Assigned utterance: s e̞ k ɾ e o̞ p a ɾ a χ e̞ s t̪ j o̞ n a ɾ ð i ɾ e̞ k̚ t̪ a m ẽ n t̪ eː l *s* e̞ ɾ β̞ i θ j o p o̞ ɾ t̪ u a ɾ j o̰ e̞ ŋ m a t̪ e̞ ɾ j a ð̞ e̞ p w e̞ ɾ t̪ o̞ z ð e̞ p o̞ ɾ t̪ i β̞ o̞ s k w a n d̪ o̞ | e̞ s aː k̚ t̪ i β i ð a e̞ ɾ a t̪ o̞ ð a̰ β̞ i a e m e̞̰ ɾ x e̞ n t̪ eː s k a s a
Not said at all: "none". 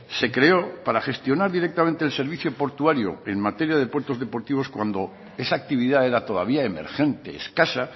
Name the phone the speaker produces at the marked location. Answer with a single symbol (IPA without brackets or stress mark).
s